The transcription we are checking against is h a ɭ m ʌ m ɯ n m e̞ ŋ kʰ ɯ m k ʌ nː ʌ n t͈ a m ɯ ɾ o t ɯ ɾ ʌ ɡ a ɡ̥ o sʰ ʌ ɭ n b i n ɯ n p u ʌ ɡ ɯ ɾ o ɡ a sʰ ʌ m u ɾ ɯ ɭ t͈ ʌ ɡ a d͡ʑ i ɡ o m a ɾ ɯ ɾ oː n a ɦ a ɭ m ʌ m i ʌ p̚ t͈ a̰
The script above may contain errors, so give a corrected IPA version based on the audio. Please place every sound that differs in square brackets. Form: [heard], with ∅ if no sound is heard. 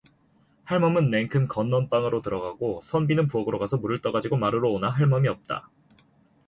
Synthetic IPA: h a ɭ m ʌ m ɯ n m e̞ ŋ kʰ ɯ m k ʌ nː ʌ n [p͈] a [ŋ] ɯ ɾ o t ɯ ɾ ʌ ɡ a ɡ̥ o sʰ ʌ [∅] n b i n ɯ n p u ʌ ɡ ɯ ɾ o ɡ a sʰ ʌ m u ɾ ɯ ɭ t͈ ʌ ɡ a d͡ʑ i ɡ o m a ɾ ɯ ɾ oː n a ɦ a ɭ m ʌ m i ʌ p̚ t͈ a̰